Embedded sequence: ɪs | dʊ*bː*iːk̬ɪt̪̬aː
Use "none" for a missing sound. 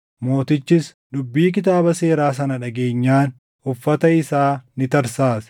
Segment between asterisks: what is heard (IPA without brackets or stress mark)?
bː